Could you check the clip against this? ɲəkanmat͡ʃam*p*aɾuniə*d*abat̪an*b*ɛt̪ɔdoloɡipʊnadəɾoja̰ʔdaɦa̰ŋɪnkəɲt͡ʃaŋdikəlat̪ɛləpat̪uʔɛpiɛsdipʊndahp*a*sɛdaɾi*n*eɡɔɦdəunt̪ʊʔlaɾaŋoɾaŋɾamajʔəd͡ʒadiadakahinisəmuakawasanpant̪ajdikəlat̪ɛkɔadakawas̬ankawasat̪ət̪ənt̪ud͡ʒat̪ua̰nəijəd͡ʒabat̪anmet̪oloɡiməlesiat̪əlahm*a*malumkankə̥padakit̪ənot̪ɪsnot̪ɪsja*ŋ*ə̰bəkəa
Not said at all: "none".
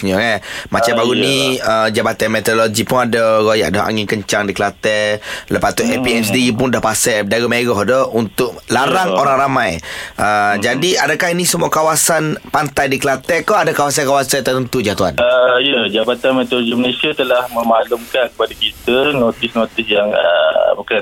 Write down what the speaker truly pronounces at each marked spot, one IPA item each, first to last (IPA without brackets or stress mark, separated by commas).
b, d͡ʒ, m, a, m, ə, ŋ